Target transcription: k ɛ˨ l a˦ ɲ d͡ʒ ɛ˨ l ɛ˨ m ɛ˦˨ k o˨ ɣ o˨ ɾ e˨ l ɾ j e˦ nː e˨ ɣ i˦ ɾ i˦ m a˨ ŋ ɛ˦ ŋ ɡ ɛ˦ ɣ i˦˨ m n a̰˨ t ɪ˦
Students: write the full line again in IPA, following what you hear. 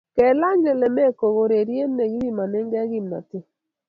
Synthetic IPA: k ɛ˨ l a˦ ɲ d͡ʒ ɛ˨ l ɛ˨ m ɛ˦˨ k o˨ ɣ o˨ ɾ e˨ ɾ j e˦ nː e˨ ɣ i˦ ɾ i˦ m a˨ n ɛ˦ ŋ ɡ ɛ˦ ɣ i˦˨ m n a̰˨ t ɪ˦